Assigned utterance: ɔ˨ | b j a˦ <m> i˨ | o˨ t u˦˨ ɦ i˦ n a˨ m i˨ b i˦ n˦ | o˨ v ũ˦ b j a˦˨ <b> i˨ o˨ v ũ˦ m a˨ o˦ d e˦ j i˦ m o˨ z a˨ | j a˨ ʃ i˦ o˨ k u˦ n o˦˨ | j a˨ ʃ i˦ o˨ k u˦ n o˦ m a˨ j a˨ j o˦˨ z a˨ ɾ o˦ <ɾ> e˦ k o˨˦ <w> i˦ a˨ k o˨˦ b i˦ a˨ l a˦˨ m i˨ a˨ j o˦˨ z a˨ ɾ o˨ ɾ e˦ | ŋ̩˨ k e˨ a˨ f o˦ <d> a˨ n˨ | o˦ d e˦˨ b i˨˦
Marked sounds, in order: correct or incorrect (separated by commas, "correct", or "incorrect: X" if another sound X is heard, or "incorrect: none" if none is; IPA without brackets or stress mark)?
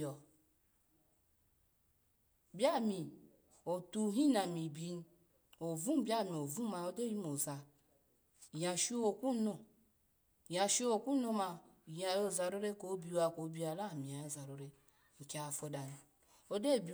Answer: correct, incorrect: m, correct, incorrect: b, correct